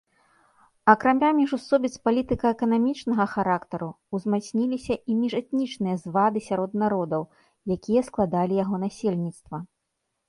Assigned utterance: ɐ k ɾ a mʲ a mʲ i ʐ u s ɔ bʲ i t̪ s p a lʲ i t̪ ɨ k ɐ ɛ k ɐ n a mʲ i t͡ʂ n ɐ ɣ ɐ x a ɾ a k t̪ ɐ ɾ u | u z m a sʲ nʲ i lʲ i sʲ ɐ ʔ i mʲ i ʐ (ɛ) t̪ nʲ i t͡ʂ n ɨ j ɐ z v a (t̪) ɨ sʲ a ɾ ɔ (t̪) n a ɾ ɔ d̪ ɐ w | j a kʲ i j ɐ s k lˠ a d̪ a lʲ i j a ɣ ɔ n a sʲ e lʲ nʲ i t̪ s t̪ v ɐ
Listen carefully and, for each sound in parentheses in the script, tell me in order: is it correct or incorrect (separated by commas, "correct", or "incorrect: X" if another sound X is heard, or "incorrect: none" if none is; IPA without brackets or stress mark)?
correct, incorrect: d̪, incorrect: d̪